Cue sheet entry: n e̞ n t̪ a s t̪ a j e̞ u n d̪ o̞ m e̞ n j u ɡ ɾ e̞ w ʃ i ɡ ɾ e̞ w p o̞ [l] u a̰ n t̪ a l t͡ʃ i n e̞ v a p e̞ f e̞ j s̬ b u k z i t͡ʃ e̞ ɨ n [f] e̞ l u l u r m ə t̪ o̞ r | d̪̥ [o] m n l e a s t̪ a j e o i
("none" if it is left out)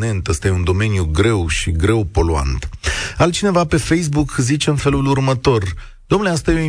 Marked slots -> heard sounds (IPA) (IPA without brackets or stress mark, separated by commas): l, f, o